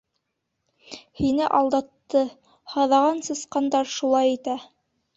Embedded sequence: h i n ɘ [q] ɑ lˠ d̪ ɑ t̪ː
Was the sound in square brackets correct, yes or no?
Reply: no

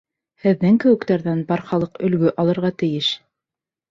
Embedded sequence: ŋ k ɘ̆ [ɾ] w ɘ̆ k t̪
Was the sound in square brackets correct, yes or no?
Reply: no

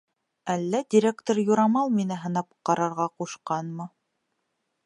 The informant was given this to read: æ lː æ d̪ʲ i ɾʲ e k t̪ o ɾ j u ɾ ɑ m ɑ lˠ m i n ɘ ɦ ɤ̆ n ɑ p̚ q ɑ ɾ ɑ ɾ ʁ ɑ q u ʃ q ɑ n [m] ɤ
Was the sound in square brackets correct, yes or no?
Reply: yes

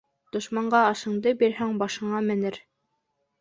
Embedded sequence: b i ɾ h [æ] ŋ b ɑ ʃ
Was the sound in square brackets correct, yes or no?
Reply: yes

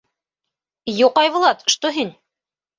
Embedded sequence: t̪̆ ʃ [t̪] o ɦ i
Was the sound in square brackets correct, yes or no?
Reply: yes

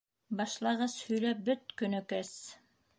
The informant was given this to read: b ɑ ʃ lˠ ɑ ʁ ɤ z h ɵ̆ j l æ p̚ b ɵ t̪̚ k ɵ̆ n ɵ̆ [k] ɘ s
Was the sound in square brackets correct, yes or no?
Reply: yes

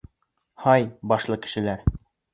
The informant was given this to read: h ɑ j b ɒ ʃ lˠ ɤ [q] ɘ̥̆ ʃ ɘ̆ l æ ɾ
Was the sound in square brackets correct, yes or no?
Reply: no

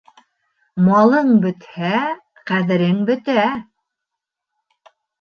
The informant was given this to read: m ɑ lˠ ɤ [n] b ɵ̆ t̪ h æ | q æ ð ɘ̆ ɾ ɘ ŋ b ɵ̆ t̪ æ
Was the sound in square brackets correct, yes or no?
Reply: no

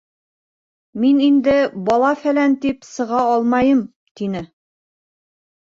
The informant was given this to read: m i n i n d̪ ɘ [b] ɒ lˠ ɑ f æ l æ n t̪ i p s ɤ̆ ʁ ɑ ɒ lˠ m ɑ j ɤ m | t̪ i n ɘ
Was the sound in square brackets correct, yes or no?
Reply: yes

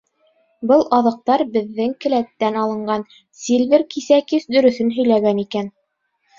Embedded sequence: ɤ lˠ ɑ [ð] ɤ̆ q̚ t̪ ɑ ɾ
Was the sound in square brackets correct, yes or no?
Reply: yes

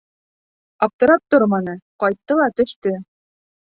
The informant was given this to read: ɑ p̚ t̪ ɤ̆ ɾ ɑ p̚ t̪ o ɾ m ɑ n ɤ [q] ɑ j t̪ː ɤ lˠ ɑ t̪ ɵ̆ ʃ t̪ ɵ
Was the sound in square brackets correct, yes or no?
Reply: yes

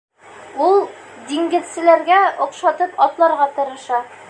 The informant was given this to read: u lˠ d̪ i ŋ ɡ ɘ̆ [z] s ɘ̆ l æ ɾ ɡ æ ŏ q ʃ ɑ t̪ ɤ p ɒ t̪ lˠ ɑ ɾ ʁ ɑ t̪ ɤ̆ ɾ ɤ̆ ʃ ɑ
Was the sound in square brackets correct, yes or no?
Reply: no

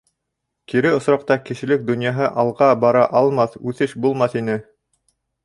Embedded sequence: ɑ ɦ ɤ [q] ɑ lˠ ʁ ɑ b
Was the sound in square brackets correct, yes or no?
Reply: no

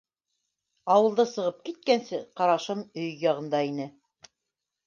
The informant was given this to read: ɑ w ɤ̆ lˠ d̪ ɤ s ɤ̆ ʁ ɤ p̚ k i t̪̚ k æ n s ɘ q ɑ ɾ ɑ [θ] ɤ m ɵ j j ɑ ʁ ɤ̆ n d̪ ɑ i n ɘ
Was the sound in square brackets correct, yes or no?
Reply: no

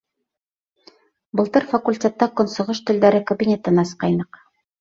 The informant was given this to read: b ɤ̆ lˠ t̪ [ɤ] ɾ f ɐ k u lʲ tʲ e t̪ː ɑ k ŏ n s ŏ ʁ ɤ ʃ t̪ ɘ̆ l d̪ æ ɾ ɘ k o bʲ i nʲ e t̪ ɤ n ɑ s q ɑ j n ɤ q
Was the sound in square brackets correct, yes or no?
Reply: yes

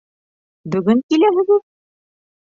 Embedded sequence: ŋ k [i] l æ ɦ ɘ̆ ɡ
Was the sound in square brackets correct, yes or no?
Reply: yes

